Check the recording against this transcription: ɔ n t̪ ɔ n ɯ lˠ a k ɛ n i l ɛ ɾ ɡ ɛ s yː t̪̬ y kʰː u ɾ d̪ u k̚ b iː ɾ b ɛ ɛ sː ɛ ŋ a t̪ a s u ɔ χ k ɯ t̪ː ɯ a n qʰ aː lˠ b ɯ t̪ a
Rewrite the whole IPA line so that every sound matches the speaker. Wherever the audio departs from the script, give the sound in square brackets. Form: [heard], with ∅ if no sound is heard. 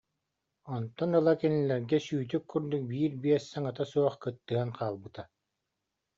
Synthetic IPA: ɔ n t̪ ɔ n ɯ lˠ a k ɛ n i l ɛ ɾ ɡ ɛ s yː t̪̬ y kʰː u ɾ d̪ u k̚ b iː ɾ b [i] ɛ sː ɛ ŋ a t̪ a s u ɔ χ k ɯ t̪ː ɯ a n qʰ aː lˠ b ɯ t̪ a